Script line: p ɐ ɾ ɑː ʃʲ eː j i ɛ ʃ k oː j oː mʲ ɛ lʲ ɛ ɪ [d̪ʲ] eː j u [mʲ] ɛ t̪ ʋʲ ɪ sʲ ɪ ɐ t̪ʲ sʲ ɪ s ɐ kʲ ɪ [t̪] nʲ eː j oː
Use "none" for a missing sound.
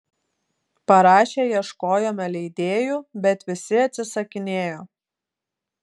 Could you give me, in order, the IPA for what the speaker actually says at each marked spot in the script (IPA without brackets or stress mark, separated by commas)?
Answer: d̪ʲ, bʲ, none